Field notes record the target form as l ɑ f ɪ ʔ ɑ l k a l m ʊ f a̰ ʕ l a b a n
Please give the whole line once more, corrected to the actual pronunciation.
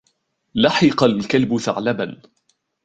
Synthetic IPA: l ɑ ħ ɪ q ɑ l k a l b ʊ θ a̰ ʕ l a b a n